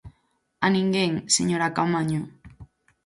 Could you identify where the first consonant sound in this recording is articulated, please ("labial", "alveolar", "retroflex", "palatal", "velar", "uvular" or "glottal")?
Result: alveolar